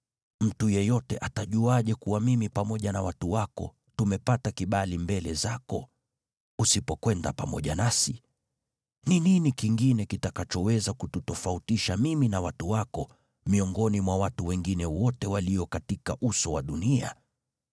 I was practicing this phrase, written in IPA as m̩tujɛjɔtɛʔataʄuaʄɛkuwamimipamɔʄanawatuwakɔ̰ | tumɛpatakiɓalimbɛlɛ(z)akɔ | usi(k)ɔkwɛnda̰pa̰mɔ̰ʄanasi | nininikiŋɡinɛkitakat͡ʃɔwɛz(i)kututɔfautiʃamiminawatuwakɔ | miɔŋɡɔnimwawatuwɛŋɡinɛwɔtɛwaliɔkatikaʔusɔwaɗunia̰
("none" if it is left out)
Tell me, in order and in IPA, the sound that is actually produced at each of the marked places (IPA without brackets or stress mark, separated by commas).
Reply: z, p, a